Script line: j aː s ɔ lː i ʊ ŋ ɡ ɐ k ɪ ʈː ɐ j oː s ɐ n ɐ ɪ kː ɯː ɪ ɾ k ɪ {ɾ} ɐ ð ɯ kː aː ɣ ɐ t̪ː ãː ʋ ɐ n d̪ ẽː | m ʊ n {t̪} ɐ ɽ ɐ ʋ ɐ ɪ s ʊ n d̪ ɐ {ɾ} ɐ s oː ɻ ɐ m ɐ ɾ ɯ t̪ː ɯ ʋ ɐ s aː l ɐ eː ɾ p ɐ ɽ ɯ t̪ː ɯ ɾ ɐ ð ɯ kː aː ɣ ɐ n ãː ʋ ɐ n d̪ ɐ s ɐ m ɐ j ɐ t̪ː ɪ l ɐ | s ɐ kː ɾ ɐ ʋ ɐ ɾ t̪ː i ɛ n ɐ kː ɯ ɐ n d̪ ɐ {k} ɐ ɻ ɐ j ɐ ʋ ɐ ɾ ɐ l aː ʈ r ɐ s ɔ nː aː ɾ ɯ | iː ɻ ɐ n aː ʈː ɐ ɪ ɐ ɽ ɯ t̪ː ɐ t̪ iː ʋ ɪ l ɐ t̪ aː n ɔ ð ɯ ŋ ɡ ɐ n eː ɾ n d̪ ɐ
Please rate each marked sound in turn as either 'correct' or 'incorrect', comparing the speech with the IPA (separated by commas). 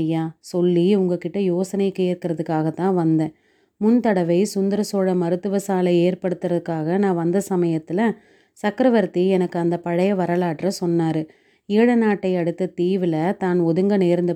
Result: correct, correct, correct, incorrect